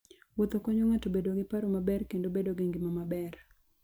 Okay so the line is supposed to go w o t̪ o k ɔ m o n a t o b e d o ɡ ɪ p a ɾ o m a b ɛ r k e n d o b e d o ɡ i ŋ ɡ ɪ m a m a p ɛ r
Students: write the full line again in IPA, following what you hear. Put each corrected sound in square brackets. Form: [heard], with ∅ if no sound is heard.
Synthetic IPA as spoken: w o t̪ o k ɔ [ɲ] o [ŋ] a t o b e d o ɡ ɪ p a ɾ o m a b ɛ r k e n d o b e d o ɡ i ŋ ɡ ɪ m a m a [b] ɛ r